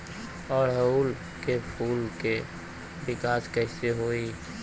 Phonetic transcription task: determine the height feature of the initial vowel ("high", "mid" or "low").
mid